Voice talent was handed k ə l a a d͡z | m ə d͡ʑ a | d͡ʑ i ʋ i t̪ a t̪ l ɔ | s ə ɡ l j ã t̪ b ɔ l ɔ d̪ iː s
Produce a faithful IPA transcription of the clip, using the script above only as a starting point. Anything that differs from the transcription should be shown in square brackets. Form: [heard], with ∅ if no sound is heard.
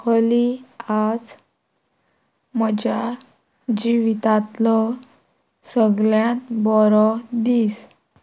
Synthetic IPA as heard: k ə l [i] a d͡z | m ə d͡ʑ a | d͡ʑ i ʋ i t̪ a t̪ l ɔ | s ə ɡ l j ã t̪ b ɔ [ɾ] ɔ d̪ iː s